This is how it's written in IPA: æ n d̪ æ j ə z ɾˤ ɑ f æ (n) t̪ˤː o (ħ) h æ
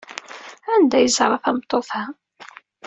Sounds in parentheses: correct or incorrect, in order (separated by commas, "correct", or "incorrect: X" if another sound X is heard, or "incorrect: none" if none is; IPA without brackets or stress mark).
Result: incorrect: m, incorrect: θ